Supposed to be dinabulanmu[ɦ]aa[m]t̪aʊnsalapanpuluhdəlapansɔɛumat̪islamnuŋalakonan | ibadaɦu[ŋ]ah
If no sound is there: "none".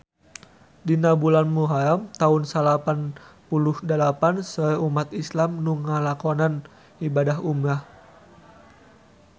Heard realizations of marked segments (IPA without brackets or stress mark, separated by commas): ɦ, m, m